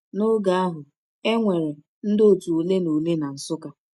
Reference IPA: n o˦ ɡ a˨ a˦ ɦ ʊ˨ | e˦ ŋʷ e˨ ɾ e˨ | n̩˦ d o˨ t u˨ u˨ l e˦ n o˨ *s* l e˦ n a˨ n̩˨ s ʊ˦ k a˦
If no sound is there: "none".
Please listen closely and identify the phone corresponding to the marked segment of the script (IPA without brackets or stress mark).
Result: none